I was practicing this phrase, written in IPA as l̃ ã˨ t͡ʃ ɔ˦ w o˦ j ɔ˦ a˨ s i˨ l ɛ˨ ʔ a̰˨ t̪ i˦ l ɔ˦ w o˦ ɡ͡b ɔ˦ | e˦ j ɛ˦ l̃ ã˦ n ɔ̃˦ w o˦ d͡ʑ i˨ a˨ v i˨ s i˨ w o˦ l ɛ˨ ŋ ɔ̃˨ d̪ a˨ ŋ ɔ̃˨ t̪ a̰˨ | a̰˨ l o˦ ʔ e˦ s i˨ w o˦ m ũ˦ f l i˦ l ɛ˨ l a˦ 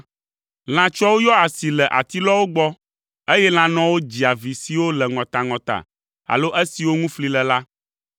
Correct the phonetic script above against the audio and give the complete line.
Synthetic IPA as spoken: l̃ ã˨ t͡ʃ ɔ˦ w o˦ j ɔ˦ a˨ s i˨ l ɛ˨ ʔ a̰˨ t̪ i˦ l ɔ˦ w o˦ ɡ͡b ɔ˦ | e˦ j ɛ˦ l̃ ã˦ n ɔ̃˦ w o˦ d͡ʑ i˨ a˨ v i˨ s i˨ w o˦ l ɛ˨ ŋ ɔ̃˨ t̪ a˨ ŋ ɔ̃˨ t̪ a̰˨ | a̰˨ l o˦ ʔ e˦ s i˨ w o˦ ŋ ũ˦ f l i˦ l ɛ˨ l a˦